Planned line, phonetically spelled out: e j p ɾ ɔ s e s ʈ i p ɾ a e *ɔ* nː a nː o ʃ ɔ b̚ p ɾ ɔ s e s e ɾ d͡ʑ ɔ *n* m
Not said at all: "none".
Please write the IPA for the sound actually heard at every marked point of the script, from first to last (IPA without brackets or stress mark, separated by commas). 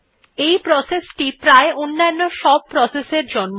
o, n